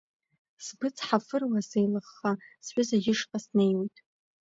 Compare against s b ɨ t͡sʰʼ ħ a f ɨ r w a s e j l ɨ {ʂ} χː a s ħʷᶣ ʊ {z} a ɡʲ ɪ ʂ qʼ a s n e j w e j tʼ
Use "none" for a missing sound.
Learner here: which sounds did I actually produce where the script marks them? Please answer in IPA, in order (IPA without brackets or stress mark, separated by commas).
none, z